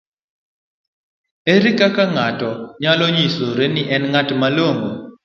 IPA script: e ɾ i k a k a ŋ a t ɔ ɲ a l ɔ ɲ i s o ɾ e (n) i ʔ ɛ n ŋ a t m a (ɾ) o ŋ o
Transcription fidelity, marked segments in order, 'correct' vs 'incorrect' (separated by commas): correct, incorrect